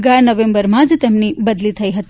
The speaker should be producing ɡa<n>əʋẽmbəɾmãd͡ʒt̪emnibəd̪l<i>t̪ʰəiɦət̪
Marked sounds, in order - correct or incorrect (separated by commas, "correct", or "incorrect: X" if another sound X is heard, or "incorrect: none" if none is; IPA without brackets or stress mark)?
correct, correct